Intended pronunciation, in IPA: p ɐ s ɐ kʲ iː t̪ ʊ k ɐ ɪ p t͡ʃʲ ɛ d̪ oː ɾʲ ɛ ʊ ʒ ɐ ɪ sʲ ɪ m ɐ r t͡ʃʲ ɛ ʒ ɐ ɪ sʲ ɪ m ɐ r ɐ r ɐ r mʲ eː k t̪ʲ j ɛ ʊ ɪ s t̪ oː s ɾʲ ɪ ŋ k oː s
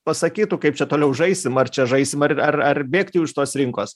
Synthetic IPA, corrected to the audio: p ɐ s ɐ kʲ iː t̪ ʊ k ɐ ɪ p t͡ʃʲ ɛ t̪ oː lʲ ɛ ʊ ʒ ɐ ɪ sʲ ɪ m ɐ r t͡ʃʲ ɛ ʒ ɐ ɪ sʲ ɪ m ɐ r ɐ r ɐ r bʲ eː k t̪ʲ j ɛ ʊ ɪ ʃ t̪ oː s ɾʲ ɪ ŋ k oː s